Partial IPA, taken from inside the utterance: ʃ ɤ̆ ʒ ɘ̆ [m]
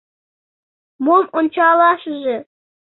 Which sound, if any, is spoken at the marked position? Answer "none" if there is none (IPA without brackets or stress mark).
none